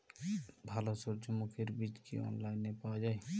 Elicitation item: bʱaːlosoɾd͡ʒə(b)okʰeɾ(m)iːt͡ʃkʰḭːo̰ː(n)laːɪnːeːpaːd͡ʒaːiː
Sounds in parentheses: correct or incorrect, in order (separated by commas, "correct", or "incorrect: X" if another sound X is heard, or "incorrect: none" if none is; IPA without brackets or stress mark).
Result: incorrect: m, incorrect: b, correct